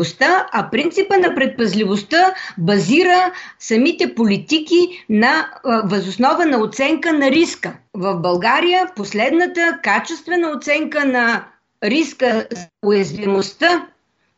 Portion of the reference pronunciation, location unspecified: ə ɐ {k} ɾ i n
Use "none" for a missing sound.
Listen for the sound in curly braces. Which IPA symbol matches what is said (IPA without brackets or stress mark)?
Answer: p